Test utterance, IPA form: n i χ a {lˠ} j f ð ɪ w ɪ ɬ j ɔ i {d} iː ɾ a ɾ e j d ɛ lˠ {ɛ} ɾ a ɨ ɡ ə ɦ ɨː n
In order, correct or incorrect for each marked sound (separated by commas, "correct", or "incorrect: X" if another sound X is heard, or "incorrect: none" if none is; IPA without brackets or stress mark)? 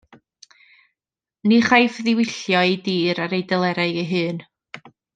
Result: incorrect: none, correct, correct